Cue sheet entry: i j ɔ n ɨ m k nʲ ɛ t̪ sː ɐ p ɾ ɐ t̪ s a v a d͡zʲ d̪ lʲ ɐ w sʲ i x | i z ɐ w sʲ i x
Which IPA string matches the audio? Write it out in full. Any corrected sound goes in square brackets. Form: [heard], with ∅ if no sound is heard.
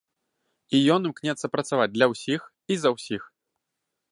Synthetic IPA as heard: i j ɔ n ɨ m k nʲ ɛ t̪ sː ɐ p ɾ ɐ t̪ s a v a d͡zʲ d̪ lʲ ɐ w sʲ i x | i z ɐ w sʲ i x